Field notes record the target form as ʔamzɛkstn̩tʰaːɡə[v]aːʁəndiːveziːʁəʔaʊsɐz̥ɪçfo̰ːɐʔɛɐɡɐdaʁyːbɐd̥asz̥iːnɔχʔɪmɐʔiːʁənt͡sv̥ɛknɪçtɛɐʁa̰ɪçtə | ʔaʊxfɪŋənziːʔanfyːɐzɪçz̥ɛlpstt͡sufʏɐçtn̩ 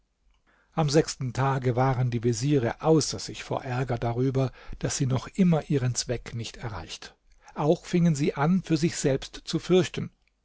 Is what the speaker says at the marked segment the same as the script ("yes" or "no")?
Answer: yes